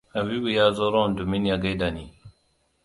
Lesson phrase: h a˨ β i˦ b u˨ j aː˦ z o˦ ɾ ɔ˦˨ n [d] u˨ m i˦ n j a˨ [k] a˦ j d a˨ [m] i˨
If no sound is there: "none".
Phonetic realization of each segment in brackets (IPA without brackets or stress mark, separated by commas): d, ɡ, n